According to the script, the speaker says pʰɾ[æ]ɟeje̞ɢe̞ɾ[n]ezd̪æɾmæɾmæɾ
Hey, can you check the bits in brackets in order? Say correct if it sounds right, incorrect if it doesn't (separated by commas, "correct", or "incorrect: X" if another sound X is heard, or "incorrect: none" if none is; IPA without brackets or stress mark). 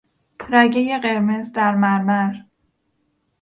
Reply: correct, incorrect: m